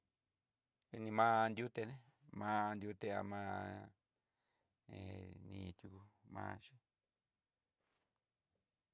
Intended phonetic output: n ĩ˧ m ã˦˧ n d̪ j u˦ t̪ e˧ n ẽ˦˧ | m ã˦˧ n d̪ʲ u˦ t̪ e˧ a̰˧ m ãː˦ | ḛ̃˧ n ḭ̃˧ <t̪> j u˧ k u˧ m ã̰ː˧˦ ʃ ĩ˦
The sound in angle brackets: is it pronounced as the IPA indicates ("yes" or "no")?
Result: yes